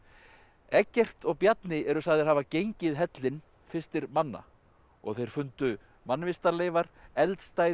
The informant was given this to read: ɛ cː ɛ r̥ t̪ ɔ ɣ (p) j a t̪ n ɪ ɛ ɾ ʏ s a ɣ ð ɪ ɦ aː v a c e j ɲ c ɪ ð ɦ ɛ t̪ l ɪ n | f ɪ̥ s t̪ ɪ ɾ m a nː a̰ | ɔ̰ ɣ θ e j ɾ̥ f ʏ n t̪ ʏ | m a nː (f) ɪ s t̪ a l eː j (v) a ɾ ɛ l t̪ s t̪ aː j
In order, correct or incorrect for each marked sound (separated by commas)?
correct, incorrect, correct